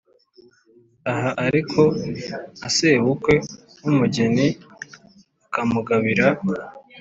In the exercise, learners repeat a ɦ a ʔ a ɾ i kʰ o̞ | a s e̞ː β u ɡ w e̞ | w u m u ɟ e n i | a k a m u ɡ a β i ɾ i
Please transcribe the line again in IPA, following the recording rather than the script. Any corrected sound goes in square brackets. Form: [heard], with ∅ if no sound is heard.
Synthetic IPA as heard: a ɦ a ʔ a ɾ i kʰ o̞ | a s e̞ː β u [k] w e̞ | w u m u ɟ e n i | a k a m u ɡ a β i ɾ [a]